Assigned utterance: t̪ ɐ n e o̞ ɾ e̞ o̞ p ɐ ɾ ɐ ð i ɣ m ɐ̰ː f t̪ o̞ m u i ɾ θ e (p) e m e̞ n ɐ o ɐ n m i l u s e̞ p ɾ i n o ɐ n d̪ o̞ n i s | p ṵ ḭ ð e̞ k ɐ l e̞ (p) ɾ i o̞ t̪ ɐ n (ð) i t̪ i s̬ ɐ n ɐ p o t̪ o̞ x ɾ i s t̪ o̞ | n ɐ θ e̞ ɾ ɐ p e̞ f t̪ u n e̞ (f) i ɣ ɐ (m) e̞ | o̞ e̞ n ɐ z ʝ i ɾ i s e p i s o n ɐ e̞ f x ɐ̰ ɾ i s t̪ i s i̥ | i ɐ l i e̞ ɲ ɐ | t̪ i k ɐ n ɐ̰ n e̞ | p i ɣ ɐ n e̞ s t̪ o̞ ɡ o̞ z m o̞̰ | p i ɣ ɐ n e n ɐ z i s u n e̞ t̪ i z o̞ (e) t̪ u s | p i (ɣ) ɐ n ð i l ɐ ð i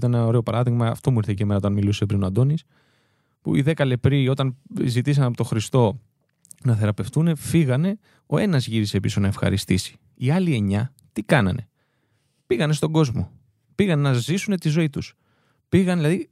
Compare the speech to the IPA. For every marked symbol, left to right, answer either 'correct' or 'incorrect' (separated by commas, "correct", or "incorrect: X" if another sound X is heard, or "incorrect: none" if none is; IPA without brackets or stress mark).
incorrect: c, correct, incorrect: z, correct, incorrect: n, incorrect: i, correct